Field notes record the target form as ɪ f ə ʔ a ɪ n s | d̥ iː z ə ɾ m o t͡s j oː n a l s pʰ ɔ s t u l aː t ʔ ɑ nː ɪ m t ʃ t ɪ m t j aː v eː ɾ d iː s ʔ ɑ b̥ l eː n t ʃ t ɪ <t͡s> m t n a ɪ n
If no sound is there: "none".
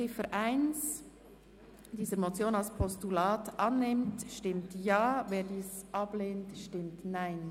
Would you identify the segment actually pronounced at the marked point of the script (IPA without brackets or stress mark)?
none